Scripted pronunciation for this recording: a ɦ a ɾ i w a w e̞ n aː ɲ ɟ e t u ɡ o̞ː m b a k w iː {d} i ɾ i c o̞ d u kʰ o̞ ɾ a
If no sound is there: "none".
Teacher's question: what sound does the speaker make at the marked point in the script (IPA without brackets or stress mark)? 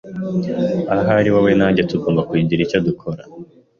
ɟ